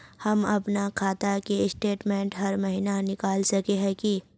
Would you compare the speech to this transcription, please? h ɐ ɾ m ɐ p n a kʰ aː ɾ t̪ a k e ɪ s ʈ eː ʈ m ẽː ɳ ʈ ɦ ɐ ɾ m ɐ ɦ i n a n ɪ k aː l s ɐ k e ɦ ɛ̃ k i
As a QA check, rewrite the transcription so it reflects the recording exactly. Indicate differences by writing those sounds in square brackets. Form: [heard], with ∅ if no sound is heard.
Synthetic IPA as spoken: h ɐ [∅] m ɐ p n a kʰ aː [∅] t̪ a k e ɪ s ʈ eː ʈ m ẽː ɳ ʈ ɦ ɐ ɾ m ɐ ɦ i n a n ɪ k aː l s ɐ k e ɦ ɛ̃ k i